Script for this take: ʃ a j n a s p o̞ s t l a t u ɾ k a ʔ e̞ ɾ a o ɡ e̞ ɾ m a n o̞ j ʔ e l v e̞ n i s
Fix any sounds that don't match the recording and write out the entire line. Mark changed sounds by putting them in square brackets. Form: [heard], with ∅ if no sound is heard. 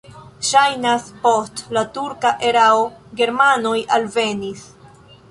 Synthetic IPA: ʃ a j n a s p o̞ s t l a t u ɾ k a ʔ e̞ ɾ a o ɡ e̞ ɾ m a n o̞ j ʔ [a] l v e̞ n i s